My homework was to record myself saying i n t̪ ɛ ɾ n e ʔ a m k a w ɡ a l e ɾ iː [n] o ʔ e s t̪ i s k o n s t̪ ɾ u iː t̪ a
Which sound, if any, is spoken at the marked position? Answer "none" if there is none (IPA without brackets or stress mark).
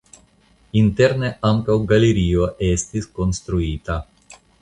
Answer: none